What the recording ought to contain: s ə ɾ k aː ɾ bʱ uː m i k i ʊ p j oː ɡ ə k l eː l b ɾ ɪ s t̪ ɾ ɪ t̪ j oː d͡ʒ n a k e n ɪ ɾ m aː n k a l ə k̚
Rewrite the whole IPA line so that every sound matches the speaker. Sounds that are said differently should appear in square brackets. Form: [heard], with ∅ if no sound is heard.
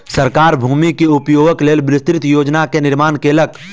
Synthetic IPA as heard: s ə ɾ k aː ɾ bʱ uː m i k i ʊ p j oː ɡ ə k l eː l b ɾ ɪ s t̪ ɾ ɪ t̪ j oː d͡ʒ n a k e n ɪ ɾ m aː n k [e] l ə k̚